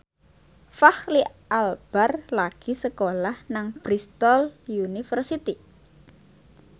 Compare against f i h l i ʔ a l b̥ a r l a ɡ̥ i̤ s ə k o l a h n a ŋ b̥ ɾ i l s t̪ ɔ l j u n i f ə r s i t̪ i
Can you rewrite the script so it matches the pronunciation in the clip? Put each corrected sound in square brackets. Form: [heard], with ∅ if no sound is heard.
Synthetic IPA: f [a] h l i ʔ a l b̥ a r l a ɡ̥ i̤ s ə k o l a h n a ŋ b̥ ɾ i [∅] s t̪ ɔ l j u n i f ə r s i t̪ i